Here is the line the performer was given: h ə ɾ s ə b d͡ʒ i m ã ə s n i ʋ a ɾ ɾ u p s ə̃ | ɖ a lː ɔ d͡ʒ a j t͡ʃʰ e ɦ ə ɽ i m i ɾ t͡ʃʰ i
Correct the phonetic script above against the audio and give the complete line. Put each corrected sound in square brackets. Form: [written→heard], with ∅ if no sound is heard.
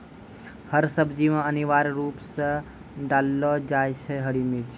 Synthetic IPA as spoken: h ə ɾ s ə b d͡ʒ i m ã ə [s→∅] n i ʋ a ɾ ɾ u p s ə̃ | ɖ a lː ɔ d͡ʒ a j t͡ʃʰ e ɦ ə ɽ i m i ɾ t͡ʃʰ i